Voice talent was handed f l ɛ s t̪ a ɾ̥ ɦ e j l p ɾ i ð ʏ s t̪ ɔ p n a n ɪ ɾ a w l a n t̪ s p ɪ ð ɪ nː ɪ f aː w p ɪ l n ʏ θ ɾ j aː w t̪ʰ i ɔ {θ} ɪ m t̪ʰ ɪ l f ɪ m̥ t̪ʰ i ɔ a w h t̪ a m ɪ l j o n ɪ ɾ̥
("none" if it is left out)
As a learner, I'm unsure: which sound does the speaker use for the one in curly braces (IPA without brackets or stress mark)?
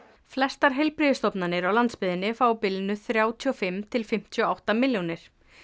f